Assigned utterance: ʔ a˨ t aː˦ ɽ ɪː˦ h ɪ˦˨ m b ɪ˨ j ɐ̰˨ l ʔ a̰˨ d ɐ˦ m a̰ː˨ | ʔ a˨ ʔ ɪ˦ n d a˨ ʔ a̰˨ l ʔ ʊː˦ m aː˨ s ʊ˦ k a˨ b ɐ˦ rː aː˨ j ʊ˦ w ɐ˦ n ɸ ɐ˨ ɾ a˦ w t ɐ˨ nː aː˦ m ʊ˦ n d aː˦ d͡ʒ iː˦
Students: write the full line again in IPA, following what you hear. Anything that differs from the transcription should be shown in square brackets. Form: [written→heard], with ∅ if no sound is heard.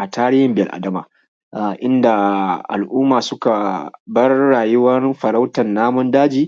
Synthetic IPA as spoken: ʔ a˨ t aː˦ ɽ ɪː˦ h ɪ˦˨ m b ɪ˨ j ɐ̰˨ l ʔ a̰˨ d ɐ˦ m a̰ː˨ | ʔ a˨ ʔ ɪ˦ n d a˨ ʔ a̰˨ l ʔ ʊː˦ m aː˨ s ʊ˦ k a˨ b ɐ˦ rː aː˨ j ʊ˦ w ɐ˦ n ɸ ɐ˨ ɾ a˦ w t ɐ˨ nː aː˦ m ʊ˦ n d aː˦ d͡ʒ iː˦

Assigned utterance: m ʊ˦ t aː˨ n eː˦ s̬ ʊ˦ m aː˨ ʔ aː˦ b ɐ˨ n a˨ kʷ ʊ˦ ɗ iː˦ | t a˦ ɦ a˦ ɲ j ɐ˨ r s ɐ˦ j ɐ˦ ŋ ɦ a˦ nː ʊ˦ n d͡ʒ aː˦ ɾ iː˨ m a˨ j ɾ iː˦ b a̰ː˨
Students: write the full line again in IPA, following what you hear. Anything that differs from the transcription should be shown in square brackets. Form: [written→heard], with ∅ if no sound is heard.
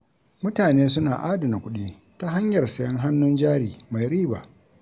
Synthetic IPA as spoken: m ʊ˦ t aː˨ n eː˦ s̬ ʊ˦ [m→n] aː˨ ʔ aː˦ [b→d] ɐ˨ n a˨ kʷ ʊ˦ ɗ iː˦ | t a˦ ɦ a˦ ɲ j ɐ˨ r s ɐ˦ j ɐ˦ ŋ ɦ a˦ nː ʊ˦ n d͡ʒ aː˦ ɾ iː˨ m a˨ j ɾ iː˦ b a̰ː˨

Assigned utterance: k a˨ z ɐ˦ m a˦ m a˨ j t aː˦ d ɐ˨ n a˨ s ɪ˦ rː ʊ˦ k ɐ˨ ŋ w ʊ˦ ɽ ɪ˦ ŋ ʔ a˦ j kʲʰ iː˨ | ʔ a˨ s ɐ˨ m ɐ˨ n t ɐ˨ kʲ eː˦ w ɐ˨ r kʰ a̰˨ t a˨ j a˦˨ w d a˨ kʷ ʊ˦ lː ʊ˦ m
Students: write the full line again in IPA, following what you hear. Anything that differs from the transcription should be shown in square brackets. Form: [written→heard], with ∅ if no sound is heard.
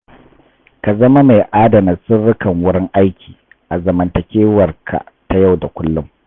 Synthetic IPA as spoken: k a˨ z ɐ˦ m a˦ m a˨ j [t→ʔ] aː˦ d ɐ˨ n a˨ s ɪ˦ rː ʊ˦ k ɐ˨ ŋ w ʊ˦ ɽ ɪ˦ ŋ ʔ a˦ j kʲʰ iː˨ | ʔ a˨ [s→z] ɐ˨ m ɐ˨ n t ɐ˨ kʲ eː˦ w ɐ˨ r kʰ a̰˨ t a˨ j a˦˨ w d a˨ kʷ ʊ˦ lː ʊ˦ m

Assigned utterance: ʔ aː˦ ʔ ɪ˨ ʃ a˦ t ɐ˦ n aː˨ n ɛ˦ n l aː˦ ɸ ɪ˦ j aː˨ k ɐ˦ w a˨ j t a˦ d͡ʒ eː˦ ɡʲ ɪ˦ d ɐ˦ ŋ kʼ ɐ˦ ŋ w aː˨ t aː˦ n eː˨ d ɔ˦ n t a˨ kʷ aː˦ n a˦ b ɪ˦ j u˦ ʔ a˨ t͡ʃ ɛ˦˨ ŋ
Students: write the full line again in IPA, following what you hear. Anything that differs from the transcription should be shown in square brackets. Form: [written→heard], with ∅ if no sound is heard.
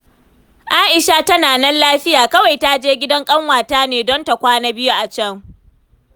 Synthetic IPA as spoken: ʔ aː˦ ʔ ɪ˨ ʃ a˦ t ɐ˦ n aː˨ n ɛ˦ n l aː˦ ɸ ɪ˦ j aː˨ k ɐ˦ w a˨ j t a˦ d͡ʒ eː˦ ɡʲ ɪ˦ d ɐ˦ ŋ kʼ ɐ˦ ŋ w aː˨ t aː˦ n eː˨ d ɔ˦ n t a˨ kʷ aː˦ n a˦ b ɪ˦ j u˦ ʔ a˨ t͡ʃ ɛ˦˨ ŋ

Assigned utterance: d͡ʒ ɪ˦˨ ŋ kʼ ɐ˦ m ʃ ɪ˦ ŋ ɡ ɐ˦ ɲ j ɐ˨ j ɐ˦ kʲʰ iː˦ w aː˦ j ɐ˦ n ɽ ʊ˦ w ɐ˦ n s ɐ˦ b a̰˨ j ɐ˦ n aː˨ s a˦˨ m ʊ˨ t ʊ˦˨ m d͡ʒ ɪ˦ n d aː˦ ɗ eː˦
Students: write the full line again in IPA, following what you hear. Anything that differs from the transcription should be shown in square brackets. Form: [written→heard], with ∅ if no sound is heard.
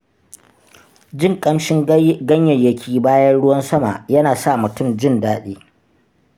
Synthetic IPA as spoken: d͡ʒ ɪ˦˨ ŋ kʼ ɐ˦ m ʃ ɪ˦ ŋ ɡ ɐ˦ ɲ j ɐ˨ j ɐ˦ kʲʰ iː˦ [w→b] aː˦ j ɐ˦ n ɽ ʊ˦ w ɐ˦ n s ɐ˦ [b→m] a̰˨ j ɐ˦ n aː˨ s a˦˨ m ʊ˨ t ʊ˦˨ m d͡ʒ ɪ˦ n d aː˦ ɗ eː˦

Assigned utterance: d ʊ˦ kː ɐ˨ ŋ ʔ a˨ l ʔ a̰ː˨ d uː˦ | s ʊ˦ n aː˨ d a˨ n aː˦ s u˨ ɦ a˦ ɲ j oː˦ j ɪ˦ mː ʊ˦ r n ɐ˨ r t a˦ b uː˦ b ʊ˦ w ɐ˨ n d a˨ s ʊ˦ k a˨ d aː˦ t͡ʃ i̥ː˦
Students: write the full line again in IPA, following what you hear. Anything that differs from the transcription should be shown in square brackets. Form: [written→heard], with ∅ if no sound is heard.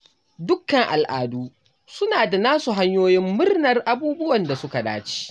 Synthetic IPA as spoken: d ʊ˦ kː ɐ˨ ŋ ʔ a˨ l ʔ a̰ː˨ d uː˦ | s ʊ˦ n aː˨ d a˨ n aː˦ s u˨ ɦ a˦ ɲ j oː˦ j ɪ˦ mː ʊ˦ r n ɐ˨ r [t→ʔ] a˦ b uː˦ b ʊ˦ w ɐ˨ n d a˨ s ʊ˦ k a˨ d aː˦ t͡ʃ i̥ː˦

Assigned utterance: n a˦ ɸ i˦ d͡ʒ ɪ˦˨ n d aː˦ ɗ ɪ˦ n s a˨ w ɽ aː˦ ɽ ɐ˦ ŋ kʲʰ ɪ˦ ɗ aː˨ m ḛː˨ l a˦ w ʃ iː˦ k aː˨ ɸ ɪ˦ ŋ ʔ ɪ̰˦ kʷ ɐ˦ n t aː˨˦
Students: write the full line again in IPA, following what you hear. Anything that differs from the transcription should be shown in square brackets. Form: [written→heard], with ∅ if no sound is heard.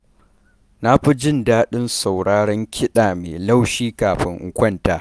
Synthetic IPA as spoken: n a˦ ɸ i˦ d͡ʒ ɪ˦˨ n d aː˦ ɗ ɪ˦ n s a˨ w ɽ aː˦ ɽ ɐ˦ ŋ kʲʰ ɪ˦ ɗ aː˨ m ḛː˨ l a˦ w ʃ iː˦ k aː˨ ɸ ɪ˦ ŋ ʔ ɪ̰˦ kʷ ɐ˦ n t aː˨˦

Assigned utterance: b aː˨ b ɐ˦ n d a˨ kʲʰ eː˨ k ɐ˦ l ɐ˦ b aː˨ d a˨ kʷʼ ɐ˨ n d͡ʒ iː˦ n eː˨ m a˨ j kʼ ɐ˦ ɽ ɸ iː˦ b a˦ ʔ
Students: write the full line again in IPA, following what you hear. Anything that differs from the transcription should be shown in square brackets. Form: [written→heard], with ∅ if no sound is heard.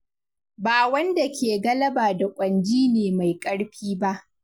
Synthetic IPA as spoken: b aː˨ [b→w] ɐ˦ n d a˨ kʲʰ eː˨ [k→ɡ] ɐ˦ l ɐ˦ b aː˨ d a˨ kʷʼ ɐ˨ n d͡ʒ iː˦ n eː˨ m a˨ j kʼ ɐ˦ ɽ ɸ iː˦ b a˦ ʔ

